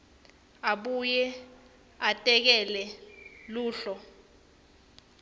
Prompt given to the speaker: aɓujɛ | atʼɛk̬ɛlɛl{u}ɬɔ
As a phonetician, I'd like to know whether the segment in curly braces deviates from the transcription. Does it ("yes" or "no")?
yes